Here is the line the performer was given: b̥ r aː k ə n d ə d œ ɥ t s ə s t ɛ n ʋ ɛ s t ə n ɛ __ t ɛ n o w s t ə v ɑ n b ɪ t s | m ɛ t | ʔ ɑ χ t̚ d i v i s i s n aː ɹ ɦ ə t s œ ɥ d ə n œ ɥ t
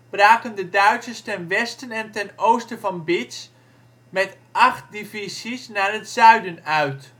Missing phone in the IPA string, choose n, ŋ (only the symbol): n